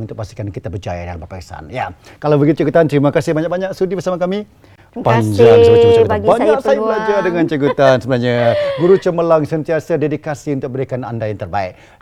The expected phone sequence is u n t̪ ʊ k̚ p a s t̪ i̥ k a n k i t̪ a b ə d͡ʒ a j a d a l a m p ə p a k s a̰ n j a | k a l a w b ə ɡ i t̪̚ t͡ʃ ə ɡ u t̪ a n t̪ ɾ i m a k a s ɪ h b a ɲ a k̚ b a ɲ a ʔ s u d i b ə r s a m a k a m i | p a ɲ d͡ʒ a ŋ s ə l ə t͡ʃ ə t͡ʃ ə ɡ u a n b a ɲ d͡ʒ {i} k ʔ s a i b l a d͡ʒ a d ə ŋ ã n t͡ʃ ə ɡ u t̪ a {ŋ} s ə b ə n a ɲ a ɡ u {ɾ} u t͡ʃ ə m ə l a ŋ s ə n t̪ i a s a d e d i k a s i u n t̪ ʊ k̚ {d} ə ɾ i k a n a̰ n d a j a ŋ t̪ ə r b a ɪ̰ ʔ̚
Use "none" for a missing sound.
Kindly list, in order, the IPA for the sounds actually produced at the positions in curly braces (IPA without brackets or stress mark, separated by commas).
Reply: a, n, ɾ, b